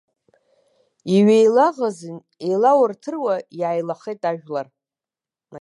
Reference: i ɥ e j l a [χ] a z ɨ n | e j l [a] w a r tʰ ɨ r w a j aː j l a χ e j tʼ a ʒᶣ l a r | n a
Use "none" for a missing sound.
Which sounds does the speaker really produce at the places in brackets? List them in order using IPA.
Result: ʁ, a

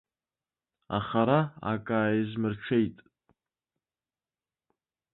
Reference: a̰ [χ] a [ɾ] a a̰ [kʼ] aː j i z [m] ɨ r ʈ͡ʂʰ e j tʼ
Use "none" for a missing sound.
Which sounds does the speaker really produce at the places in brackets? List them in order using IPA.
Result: χ, ɾ, kʼ, m

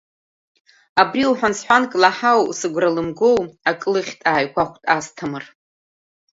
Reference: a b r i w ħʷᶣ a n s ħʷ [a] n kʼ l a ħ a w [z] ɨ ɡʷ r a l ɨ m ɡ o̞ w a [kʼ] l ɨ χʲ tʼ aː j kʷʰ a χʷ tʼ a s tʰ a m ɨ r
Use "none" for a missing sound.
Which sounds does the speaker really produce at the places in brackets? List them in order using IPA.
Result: a, s, kʼ

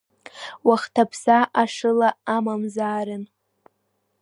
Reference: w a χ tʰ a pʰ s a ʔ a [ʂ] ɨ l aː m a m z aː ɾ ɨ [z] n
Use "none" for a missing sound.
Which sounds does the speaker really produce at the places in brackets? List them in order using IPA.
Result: ʂ, none

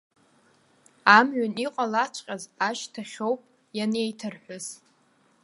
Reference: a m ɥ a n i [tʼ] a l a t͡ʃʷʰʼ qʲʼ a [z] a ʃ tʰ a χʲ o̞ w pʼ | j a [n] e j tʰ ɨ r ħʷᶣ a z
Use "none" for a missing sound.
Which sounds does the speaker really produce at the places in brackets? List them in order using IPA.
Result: qʼ, z, n

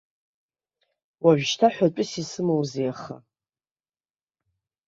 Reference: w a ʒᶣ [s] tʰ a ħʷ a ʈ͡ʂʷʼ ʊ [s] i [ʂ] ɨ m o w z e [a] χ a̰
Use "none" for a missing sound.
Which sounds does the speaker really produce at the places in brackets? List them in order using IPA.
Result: ʃ, s, s, a

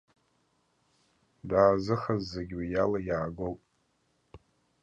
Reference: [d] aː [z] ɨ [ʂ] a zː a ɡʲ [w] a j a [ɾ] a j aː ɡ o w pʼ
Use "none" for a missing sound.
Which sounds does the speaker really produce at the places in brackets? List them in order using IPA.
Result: d, z, χ, w, l

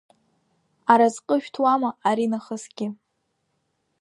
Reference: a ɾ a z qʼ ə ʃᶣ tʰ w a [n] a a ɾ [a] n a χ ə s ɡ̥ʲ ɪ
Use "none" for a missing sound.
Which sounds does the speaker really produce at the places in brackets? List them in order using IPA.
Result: m, i

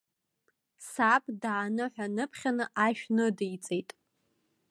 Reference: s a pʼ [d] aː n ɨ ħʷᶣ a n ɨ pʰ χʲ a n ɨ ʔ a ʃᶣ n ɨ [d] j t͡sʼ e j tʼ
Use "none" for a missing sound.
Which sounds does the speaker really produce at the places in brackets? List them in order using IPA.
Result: d, d

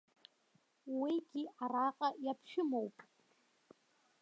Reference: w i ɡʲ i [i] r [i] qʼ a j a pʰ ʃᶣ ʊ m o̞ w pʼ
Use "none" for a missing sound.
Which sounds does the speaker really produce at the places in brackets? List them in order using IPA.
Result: a, a

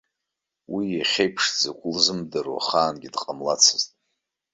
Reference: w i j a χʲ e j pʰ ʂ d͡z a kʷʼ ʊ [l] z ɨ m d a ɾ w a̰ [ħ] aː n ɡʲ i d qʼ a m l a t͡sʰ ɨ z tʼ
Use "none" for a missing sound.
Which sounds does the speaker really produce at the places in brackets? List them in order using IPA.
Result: l, χ

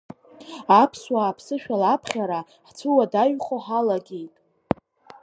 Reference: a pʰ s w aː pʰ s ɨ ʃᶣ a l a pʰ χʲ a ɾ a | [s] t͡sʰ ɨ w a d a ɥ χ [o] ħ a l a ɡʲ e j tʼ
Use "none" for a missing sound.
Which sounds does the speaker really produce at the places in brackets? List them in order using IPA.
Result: ħ, o

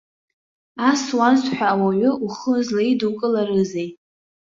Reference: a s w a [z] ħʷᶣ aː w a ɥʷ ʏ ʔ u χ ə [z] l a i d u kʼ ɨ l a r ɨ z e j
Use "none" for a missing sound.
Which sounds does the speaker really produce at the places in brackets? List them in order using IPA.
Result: z, z

